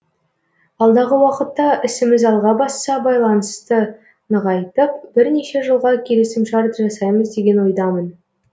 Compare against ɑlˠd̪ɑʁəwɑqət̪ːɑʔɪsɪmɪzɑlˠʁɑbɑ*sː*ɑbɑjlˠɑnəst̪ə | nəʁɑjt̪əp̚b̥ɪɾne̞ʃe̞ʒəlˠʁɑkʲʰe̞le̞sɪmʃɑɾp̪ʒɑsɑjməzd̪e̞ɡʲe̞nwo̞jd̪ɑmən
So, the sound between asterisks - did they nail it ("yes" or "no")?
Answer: yes